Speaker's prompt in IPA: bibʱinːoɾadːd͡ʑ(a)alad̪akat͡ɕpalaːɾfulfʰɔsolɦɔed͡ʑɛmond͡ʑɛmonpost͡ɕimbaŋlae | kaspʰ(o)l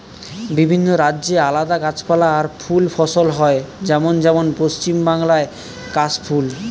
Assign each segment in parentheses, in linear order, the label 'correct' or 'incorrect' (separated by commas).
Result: incorrect, incorrect